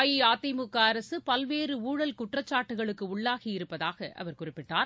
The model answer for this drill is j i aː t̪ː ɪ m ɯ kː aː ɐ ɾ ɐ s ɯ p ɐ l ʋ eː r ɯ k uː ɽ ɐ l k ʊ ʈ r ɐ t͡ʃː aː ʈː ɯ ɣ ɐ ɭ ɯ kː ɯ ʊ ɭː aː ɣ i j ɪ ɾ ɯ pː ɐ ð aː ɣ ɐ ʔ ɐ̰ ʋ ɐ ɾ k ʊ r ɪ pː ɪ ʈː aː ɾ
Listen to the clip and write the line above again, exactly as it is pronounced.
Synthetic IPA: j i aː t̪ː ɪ m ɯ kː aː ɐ ɾ ɐ s ɯ p ɐ l ʋ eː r ɯ uː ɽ ɐ l k ʊ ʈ r ɐ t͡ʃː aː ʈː ɯ ɣ ɐ ɭ ɯ kː ɯ ʊ ɭː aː ɣ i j ɪ ɾ ɯ pː ɐ ð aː ɣ ɐ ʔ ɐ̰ ʋ ɐ ɾ k ʊ r ɪ pː ɪ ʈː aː ɾ